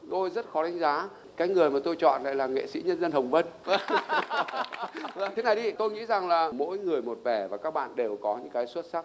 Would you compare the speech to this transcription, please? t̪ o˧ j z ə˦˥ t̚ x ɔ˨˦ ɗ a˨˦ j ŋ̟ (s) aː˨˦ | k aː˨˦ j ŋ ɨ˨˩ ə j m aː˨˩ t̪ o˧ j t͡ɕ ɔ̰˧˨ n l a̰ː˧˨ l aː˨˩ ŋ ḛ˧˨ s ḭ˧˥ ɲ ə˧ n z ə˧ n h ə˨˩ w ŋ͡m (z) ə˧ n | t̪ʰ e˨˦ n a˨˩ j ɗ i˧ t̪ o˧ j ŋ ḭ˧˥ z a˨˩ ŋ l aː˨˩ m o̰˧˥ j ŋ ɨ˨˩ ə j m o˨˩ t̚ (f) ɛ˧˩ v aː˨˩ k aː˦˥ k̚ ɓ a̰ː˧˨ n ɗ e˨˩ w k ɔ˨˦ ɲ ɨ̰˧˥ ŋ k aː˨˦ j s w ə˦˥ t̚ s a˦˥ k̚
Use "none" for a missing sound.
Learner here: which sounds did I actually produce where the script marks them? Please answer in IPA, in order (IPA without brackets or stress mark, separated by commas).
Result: z, v, v